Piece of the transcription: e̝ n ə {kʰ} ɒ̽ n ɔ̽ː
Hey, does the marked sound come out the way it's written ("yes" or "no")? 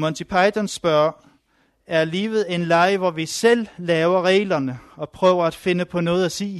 no